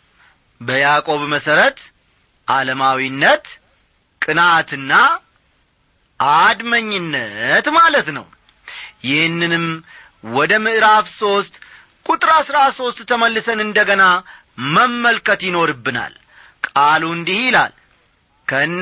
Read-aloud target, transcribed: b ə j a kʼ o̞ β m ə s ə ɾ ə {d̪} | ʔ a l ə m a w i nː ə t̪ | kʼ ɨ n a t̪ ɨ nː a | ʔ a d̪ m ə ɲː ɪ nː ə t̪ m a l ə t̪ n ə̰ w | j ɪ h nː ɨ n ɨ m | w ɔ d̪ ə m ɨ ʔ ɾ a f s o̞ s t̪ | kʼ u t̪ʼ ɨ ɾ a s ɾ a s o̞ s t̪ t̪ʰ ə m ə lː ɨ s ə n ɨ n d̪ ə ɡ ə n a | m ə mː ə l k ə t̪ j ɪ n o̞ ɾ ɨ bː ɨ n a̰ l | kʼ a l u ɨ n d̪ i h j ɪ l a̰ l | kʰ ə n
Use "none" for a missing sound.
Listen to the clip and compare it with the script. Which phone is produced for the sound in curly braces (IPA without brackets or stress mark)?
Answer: t̪